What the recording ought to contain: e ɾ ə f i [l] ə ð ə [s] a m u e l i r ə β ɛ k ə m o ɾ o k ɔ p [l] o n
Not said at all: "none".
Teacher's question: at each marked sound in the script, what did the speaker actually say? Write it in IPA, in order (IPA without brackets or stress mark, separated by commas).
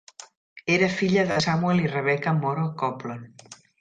ʎ, s, l